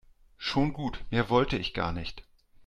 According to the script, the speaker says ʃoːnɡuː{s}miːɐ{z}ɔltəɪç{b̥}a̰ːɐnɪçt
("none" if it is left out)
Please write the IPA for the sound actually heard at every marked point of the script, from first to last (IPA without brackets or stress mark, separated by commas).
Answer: t, v, ɡ̥